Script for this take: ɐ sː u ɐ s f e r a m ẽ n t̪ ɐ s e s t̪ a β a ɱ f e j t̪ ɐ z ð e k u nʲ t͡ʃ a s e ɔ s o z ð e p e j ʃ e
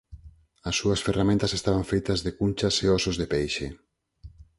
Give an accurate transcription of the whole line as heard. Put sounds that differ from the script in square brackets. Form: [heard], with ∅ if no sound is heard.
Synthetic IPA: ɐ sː u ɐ s f e r a m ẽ n t̪ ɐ s e s t̪ a β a ɱ f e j t̪ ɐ z ð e k u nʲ t͡ʃ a s e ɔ s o z ð e p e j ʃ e